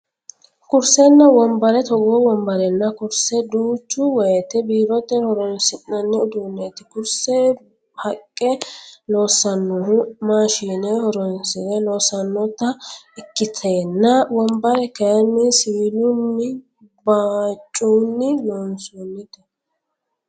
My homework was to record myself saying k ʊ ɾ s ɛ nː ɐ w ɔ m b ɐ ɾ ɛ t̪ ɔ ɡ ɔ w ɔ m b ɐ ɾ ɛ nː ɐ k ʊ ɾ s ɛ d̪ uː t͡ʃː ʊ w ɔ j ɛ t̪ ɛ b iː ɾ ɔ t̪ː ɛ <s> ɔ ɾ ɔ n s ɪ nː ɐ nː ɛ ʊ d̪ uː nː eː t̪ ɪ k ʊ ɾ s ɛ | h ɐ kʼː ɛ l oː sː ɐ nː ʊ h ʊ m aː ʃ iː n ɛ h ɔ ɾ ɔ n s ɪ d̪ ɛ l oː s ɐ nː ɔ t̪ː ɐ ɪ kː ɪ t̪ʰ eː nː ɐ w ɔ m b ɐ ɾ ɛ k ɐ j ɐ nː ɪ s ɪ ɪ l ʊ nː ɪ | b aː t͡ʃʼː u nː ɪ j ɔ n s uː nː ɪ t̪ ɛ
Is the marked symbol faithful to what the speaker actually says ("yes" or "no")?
no